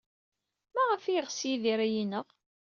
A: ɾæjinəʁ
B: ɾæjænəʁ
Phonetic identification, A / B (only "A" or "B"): A